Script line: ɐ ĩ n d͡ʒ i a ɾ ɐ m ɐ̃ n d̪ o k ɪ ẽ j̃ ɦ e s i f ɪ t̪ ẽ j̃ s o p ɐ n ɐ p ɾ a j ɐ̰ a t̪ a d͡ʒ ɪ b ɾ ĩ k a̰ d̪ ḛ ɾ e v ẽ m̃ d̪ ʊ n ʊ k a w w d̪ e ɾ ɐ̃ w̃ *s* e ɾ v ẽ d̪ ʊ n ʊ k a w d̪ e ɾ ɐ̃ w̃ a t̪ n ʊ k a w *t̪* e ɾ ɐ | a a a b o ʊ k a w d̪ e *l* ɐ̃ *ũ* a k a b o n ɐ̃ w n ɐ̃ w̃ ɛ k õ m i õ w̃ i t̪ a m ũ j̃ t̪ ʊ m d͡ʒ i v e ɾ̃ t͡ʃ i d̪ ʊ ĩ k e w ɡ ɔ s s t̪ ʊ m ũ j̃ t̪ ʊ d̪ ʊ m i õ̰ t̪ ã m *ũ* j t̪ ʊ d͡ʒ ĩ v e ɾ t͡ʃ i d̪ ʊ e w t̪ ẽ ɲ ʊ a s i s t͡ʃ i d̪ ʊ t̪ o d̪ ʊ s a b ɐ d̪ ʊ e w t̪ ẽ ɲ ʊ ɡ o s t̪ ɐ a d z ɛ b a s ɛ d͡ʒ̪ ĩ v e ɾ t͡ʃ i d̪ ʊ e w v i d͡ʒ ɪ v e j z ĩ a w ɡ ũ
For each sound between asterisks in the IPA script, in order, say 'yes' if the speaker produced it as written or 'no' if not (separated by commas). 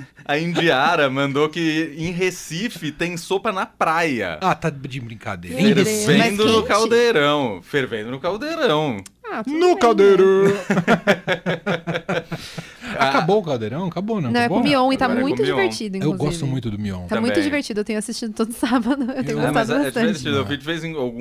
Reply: no, no, no, no, yes